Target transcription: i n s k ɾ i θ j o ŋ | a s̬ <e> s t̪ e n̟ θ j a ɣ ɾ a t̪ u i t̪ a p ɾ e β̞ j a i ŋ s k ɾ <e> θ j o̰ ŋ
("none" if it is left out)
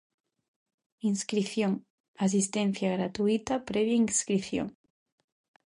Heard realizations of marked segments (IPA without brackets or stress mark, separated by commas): i, i